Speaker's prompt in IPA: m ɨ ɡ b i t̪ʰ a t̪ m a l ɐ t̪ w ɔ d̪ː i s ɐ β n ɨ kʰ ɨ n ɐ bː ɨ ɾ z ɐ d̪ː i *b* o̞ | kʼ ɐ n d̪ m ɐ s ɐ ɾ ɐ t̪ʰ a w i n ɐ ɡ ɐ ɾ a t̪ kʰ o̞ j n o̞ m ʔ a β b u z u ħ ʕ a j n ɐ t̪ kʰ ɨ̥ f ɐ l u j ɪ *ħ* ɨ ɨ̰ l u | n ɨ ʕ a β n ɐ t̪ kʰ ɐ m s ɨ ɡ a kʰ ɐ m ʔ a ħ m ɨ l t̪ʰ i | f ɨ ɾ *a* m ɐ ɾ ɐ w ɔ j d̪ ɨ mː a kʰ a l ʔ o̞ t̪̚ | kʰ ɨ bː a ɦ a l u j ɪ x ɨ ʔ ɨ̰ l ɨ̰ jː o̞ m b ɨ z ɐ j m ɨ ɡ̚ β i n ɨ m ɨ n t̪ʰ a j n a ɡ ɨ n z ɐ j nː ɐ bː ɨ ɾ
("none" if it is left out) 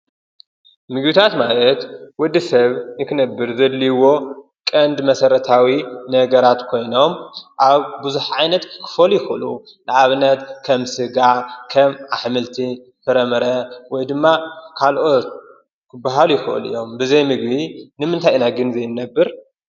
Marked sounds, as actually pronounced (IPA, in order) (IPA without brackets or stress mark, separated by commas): w, x, ɐ